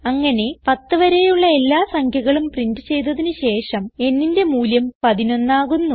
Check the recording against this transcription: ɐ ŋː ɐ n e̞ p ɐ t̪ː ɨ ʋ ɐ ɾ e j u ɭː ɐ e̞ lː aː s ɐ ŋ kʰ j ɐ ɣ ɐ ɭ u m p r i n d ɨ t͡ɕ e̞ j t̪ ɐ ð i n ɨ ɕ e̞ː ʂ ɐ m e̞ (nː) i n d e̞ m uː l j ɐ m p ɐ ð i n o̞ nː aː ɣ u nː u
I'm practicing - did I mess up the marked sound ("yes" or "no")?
no